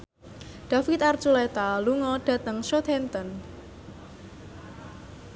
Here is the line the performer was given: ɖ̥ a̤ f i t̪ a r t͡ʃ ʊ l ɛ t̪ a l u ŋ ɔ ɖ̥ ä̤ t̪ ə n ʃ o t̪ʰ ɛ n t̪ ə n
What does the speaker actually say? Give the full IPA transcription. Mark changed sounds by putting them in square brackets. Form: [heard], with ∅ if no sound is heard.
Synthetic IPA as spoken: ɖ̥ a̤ f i t̪ a r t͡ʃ [u] l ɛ t̪ a l u ŋ ɔ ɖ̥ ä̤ t̪ ə [ŋ] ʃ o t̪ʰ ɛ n t̪ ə n

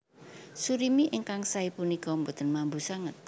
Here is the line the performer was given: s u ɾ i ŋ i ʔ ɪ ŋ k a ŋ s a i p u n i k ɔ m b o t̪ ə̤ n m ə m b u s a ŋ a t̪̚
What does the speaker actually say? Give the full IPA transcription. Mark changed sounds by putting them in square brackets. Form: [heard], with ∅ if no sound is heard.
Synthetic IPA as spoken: s u ɾ i [m] i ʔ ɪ ŋ k a ŋ s a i p u n i k ɔ m b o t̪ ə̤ n m [a] m b u s a ŋ [ə] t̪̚

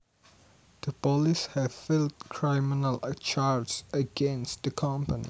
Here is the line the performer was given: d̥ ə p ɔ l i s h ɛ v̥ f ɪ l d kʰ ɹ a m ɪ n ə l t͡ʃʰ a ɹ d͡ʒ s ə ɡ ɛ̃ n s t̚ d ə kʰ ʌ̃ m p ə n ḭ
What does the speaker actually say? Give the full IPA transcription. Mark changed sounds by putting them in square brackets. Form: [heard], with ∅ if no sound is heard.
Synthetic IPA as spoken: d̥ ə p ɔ l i s h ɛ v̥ f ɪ l d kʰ ɹ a m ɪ n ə l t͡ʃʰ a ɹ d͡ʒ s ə ɡ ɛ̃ n s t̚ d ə kʰ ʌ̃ m p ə n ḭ

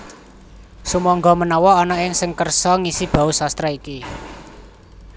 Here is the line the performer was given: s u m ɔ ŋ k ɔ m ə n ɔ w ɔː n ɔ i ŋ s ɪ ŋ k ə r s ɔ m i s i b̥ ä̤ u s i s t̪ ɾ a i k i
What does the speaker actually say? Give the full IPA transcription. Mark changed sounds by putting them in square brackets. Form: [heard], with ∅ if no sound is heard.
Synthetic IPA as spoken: s u m ɔ ŋ [ɡ] ɔ m ə n ɔ w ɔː n ɔ [ɪ] ŋ s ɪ ŋ k ə r s ɔ [ŋ] i s i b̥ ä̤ u s [a] s t̪ ɾ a i k i

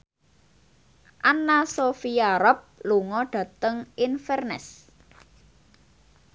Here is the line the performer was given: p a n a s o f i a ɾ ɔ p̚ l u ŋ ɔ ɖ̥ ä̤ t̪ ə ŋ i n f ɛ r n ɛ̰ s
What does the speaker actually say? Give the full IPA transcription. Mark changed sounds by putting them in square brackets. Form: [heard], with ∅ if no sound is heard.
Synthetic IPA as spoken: [ʔ] a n a s o f i a ɾ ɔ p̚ l u ŋ ɔ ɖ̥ ä̤ t̪ ə ŋ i n f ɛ r n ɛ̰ s

